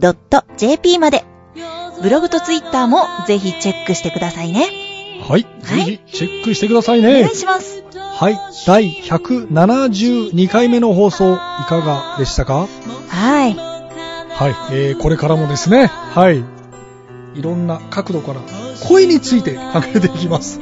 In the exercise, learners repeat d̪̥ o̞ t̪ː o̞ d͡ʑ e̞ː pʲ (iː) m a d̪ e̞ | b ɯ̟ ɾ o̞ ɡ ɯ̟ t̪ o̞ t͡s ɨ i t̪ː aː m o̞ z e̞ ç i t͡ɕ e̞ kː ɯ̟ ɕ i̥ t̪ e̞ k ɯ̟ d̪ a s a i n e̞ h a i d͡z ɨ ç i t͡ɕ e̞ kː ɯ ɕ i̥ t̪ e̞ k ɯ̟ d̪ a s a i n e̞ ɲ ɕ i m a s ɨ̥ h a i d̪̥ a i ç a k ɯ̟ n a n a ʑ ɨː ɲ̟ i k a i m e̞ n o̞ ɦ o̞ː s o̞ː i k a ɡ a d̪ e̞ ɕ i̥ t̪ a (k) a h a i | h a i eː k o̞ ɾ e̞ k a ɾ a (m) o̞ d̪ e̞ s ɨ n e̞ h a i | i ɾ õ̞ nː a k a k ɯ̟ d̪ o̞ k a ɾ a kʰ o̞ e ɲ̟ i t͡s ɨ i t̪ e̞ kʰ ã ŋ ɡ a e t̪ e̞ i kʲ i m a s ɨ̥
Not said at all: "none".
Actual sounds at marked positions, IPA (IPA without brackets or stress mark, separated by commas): iː, k, m